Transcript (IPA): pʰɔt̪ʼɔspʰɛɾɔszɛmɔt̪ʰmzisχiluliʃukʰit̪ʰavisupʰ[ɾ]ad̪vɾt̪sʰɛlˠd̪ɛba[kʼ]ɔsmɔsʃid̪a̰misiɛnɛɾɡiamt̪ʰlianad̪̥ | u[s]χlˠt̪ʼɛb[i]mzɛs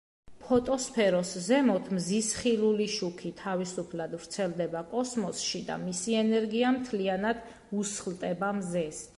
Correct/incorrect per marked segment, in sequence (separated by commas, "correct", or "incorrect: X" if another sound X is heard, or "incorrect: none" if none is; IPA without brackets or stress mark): incorrect: l, correct, correct, incorrect: a